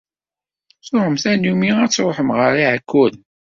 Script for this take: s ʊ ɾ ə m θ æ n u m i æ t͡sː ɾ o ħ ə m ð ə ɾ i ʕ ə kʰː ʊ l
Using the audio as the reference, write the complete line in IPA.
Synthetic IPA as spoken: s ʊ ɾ ə m θ æ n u m i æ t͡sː ɾ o ħ ə m ʁ ə ɾ i ʕ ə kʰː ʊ l